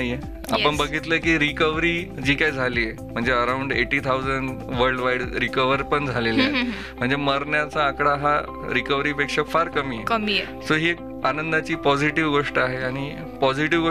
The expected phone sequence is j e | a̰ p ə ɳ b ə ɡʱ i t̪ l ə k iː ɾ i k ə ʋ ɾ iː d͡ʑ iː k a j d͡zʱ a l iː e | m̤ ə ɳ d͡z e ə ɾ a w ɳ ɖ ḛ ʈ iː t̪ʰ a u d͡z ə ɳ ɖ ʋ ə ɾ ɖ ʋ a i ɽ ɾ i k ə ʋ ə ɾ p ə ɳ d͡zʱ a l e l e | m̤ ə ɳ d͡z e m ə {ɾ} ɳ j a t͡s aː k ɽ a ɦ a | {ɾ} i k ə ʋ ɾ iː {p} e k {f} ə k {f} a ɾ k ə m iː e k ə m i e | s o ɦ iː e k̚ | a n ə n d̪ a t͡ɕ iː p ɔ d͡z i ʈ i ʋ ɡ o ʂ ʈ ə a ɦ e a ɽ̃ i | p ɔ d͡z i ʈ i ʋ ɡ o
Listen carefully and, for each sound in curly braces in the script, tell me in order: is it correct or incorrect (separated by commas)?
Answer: correct, correct, correct, incorrect, correct